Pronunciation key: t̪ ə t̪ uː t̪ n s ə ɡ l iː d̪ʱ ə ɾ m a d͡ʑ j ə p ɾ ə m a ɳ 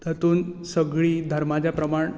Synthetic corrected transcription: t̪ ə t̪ uː n s ə ɡ ɭ iː d̪ʱ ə ɾ m a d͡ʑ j a p ɾ ə m a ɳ

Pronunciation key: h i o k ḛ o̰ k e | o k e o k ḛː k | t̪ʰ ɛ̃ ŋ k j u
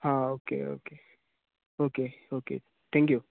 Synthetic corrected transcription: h a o k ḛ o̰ k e | o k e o k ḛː | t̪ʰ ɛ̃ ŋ k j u

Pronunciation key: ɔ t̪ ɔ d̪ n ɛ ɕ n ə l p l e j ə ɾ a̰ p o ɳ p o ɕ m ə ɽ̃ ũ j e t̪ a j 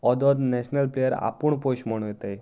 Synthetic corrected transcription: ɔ d̪ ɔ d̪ n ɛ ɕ n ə l p l e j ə ɾ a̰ p u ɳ p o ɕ m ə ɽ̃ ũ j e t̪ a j

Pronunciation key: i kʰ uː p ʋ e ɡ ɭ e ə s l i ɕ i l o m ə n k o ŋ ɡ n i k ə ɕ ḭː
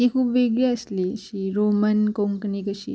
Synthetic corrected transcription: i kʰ uː p ʋ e ɡ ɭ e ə s l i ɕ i ɾ o m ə n k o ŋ k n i k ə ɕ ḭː

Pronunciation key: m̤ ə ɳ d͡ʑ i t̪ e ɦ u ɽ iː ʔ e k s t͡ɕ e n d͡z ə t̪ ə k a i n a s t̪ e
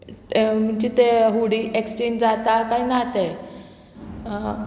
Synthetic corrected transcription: m̤ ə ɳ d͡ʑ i t̪ e ɦ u ɽ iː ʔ e k s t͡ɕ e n d͡z a t̪ a k a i n a t̪ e

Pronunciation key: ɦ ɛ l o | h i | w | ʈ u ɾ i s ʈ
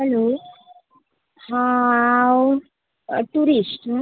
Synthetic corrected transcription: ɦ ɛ l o | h a | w | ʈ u ɾ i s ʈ

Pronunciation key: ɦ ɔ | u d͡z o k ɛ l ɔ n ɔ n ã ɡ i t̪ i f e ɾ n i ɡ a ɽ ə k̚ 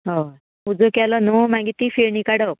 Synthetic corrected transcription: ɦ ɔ | u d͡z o k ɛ l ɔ n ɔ m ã ɡ i t̪ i f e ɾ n i k a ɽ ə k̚

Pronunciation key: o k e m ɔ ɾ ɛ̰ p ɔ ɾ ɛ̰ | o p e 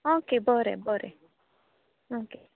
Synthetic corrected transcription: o k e b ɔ ɾ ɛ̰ b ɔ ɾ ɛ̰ | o k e

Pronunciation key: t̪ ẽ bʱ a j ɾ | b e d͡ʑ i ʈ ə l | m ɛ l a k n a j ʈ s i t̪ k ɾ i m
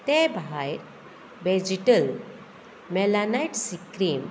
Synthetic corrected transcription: t̪ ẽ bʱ a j ɾ | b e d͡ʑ i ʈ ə l | m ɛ l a n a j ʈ s i k ɾ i m

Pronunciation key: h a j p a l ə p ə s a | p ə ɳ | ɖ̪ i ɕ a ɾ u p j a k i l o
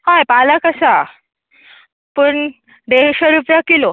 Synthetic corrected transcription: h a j p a l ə k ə s a | p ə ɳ | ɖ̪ e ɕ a ɾ u p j a k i l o

